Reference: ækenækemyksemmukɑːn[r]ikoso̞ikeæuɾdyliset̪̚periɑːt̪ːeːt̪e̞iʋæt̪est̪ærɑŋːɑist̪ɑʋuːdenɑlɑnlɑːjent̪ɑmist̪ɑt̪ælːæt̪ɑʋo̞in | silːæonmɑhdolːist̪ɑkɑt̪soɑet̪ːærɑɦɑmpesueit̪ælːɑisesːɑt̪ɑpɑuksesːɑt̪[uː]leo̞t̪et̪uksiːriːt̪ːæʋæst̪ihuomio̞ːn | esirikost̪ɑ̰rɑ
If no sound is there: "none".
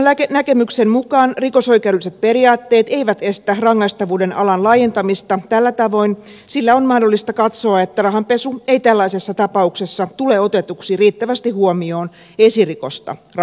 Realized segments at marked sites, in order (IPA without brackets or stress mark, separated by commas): r, u